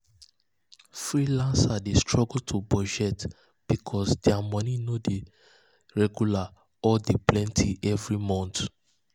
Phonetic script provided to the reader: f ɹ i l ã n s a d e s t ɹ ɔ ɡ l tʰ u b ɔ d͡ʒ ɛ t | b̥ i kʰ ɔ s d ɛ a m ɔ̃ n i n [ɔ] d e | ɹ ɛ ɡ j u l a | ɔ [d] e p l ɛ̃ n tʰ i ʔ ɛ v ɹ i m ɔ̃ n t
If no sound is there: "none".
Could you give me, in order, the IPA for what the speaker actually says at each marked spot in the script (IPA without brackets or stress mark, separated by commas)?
o, d